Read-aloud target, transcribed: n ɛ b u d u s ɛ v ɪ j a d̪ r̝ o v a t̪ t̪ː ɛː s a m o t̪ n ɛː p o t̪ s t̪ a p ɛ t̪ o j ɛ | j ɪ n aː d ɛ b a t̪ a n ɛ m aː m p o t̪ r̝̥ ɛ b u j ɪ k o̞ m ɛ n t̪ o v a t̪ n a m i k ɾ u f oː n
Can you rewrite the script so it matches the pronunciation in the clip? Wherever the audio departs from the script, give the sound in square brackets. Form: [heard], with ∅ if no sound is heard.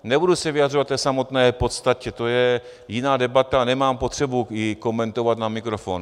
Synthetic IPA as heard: n ɛ b u d u s ɛ v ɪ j a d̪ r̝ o v a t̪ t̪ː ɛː s a m o t̪ n ɛː p o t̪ s t̪ a [c] ɛ t̪ o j ɛ | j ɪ n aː d ɛ b a t̪ a n ɛ m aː m p o t̪ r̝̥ ɛ b u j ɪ k o̞ m ɛ n t̪ o v a t̪ n a m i k ɾ [o] f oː n